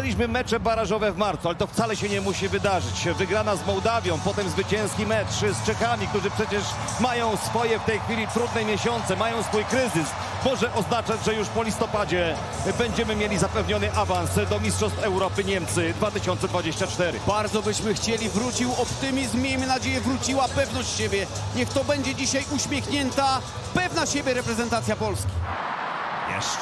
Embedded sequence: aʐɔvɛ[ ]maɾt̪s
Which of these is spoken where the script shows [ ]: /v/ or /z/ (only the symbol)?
v